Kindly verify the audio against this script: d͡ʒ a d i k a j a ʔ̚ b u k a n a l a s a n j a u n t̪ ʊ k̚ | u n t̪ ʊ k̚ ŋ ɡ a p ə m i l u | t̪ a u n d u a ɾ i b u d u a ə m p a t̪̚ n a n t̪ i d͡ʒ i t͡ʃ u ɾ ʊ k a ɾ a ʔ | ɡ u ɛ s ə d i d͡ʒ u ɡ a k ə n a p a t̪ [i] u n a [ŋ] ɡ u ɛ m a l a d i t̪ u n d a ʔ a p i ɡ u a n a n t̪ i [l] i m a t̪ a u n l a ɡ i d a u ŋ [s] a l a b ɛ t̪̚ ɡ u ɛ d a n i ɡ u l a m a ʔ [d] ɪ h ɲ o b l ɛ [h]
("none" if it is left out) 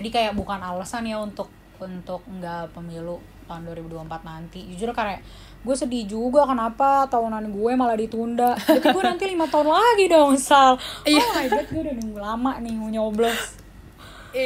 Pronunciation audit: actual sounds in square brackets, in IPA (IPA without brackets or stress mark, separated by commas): a, n, l, s, n, s